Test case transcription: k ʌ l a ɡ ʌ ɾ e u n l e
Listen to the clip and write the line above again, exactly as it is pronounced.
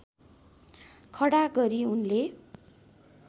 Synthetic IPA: kʰ ʌ ɽ a ɡ ʌ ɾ i u n l e